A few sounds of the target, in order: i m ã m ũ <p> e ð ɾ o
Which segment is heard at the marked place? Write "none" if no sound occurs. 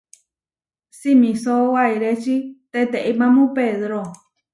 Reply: p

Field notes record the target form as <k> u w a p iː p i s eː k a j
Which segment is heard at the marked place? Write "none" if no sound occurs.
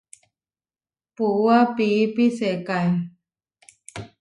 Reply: p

